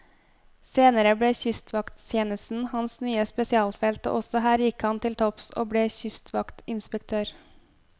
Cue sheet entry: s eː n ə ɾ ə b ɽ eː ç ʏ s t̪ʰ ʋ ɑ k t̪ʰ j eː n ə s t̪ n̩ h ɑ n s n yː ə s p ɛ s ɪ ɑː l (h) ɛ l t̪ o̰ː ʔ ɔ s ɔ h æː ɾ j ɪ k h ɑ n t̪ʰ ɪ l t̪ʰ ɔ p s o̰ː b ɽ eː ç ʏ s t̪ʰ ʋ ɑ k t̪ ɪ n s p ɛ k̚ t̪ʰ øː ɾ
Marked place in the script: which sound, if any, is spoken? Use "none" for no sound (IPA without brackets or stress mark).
f